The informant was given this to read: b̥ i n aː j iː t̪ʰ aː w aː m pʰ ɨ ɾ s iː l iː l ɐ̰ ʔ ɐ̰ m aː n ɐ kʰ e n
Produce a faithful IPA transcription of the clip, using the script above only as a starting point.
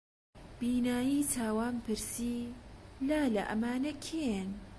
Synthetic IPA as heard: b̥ iː n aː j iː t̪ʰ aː w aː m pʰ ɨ ɾ s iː l aː l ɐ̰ ʔ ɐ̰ m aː n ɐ kʰ e n